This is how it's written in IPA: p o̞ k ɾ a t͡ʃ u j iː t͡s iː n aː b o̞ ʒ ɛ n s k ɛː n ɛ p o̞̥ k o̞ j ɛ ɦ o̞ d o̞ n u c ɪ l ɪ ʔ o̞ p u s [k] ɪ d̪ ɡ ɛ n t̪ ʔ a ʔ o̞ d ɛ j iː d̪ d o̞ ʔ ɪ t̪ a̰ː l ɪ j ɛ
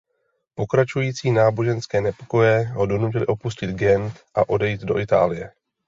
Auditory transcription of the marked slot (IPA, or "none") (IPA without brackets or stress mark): c